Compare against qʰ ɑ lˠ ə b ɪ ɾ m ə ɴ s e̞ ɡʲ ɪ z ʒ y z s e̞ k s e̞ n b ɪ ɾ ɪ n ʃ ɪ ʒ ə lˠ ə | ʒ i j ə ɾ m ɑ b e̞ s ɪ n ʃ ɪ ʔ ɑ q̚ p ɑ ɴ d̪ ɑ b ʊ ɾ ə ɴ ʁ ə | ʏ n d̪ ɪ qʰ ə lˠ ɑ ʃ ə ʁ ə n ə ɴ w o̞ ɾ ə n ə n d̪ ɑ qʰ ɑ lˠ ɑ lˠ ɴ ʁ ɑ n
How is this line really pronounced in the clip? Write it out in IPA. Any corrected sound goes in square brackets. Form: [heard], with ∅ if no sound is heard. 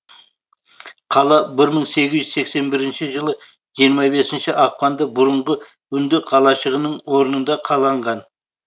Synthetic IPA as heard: qʰ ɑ lˠ [ɑ] b ɪ ɾ m ə ɴ s e̞ ɡʲ ɪ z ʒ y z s e̞ k s e̞ n b ɪ ɾ ɪ n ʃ ɪ ʒ ə lˠ ə | ʒ i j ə ɾ m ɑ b e̞ s ɪ n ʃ ɪ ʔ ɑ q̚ p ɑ [n] d̪ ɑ b ʊ ɾ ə ɴ ʁ ə | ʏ n d̪ ɪ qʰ [ɑ] lˠ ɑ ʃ ə ʁ ə n ə ɴ w o̞ ɾ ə n ə n d̪ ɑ qʰ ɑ lˠ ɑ [∅] ɴ ʁ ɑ n

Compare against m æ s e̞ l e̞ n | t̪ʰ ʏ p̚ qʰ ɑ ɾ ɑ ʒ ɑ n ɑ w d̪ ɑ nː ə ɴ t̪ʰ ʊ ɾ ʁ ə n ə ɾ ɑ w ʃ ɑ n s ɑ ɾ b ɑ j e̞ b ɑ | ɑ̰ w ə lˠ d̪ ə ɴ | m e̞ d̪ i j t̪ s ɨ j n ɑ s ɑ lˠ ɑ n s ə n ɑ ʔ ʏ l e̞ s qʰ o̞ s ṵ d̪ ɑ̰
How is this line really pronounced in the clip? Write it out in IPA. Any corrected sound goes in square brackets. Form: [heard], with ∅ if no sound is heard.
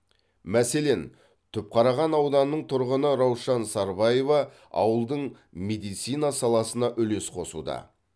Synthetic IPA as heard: m æ s e̞ l e̞ n | t̪ʰ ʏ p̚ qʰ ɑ ɾ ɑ [ʁ] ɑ n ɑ w d̪ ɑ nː ə ɴ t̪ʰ ʊ ɾ ʁ ə n ə ɾ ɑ w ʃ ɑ n s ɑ ɾ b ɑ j e̞ [v] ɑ | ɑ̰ w ə lˠ d̪ ə ɴ | m e̞ d̪ i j t̪ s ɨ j n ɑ s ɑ lˠ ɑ [∅] s ə n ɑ ʔ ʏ l e̞ s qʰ o̞ s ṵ d̪ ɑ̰

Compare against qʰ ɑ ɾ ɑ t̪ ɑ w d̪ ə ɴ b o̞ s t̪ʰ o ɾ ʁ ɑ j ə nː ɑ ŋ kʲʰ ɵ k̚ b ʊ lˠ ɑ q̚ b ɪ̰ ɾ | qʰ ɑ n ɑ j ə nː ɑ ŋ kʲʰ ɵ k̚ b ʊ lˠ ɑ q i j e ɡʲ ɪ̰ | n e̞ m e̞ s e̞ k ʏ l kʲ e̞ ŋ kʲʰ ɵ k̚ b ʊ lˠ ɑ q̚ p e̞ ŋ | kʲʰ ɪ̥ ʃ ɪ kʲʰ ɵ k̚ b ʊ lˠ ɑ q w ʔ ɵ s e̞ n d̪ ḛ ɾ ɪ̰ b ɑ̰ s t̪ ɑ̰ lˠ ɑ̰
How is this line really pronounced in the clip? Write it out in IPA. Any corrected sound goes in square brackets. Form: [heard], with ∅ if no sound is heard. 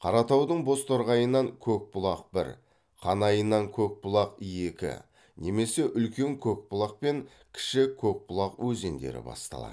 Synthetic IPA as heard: qʰ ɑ ɾ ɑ t̪ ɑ w d̪ ə ɴ b o̞ s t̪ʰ o ɾ ʁ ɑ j ə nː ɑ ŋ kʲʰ ɵ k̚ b ʊ lˠ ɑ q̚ b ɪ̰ ɾ | qʰ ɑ n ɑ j ə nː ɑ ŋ kʲʰ ɵ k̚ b ʊ lˠ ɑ q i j e [kʲ] ɪ̰ | n e̞ m e̞ s e̞ [ʔ] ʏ l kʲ e̞ ŋ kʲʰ ɵ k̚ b ʊ lˠ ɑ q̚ p e̞ ŋ | kʲʰ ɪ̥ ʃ ɪ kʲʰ ɵ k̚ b ʊ lˠ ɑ q w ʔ ɵ [z] e̞ n d̪ ḛ ɾ ɪ̰ b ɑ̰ s t̪ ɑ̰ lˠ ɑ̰

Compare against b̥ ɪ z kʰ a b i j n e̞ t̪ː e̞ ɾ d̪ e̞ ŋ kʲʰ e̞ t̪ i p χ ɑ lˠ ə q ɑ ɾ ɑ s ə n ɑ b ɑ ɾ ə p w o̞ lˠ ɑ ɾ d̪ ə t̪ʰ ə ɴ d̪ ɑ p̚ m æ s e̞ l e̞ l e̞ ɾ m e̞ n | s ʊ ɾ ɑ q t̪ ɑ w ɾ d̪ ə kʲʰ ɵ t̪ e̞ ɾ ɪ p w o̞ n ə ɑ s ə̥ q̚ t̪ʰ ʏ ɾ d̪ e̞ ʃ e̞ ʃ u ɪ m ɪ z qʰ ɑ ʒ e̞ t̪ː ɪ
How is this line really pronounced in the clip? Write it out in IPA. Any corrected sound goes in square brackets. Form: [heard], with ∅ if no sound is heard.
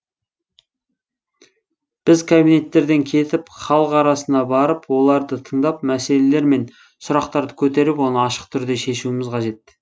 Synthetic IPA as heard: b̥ ɪ z kʰ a b i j n e̞ t̪ː e̞ ɾ d̪ e̞ ŋ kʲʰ e̞ t̪ [ɪ] p χ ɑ lˠ ə q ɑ ɾ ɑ s ə n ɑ b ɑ ɾ ə p w o̞ lˠ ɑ ɾ d̪ ə t̪ʰ ə ɴ d̪ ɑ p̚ m æ s e̞ l e̞ l e̞ ɾ m e̞ n | s ʊ ɾ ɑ q t̪ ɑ [∅] ɾ d̪ ə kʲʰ ɵ t̪ e̞ ɾ ɪ p w o̞ n ə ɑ [ʃ] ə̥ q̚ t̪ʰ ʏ ɾ d̪ e̞ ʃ e̞ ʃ u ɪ m ɪ z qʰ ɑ ʒ e̞ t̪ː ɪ

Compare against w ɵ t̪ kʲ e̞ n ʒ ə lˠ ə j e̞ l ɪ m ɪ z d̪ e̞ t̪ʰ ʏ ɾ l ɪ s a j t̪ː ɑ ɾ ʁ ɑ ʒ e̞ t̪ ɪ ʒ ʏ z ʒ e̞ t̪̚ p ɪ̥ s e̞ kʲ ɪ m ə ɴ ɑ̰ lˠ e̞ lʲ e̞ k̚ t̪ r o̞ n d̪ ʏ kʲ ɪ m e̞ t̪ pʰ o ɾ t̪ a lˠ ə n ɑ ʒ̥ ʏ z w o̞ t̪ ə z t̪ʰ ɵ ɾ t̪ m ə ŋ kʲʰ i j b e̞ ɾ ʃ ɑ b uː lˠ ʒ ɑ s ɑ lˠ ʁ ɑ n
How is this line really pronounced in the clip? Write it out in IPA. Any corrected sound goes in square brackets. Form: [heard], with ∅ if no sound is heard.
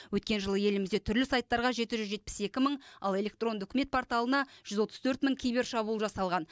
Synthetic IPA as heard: w ɵ t̪ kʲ e̞ n ʒ ə lˠ ə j e̞ l ɪ m ɪ z d̪ e̞ t̪ʰ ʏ ɾ l ɪ s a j t̪ː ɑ ɾ ʁ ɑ ʒ e̞ t̪ ɪ ʒ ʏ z ʒ e̞ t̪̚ p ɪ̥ s e̞ kʲ ɪ m ə ɴ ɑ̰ lˠ e̞ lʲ e̞ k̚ t̪ r o̞ n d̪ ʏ kʲ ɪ m e̞ t̪ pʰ o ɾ t̪ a lˠ ə n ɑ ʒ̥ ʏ z w o̞ t̪ ə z t̪ʰ ɵ ɾ t̪ m ə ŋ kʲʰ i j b e̞ ɾ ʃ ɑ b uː lˠ ʒ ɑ s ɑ lˠ ʁ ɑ n

